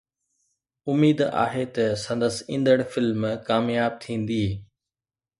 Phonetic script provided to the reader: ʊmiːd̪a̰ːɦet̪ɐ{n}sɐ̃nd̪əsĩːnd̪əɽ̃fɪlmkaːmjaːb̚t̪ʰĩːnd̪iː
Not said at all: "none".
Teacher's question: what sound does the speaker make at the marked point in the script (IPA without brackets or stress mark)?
none